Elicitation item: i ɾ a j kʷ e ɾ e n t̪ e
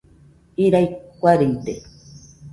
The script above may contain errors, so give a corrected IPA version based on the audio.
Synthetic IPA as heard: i ɾ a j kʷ a ɾ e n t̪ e